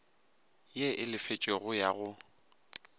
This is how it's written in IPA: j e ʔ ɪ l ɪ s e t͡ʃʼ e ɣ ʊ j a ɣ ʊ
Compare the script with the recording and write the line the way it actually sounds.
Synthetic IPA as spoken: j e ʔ ɪ l ɪ f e t͡ʃʼ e ɣ ʊ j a ɣ ʊ